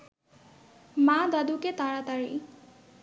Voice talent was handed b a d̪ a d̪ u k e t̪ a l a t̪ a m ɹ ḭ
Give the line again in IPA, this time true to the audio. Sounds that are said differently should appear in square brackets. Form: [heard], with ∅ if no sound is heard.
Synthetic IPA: [m] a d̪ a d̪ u k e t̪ a [ɹ] a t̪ a [∅] ɹ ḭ